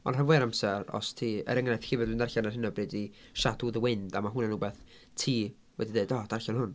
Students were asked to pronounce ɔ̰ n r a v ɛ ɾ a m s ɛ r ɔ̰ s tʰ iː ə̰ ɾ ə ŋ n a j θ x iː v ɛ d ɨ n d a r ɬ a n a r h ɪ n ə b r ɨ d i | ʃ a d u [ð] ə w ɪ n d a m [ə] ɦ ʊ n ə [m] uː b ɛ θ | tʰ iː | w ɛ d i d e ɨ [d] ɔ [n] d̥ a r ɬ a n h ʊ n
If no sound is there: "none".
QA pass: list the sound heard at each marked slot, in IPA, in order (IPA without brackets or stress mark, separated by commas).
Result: ð, a, n, d, none